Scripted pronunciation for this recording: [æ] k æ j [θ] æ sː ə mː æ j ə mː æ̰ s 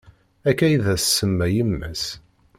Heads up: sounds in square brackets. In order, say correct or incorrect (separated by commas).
correct, incorrect